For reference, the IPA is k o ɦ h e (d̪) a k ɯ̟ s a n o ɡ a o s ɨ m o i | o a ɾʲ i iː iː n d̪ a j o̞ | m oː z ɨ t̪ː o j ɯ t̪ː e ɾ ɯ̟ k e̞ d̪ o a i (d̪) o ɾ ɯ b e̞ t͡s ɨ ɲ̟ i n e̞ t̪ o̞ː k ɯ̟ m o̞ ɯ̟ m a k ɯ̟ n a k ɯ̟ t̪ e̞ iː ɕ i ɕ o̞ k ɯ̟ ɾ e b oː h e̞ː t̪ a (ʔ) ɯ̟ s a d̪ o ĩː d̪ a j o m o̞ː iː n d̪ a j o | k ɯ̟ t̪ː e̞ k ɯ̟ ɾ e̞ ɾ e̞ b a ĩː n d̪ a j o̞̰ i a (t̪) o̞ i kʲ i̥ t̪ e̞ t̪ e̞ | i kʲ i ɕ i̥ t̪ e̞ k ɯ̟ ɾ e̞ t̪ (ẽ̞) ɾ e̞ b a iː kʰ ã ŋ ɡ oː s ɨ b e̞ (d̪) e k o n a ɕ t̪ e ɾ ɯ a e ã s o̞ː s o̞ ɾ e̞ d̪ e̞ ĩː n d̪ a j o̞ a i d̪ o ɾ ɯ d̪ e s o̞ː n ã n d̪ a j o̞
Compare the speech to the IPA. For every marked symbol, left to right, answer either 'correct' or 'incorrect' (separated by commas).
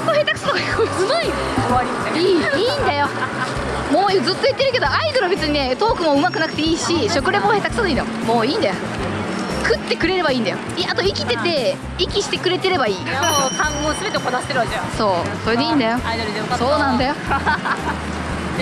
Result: incorrect, correct, incorrect, correct, incorrect, incorrect